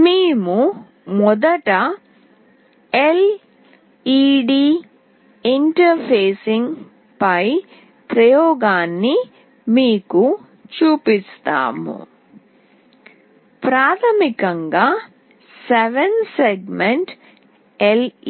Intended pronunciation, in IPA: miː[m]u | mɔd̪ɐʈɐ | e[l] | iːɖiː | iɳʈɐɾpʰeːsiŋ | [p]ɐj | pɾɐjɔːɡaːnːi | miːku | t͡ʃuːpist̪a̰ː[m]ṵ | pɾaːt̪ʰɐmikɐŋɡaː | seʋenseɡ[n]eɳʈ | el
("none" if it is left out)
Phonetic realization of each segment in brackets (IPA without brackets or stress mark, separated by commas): m, l, p, m, m